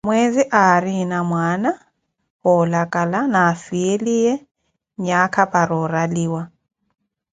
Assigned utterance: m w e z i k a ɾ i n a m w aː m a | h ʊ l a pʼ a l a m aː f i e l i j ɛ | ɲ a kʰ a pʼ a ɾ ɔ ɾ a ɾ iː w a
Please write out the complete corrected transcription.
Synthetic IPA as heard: m w e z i ʔ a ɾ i n a m w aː n a | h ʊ l a kʼ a l a n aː f i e l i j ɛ | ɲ a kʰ a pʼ a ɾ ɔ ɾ a l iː w a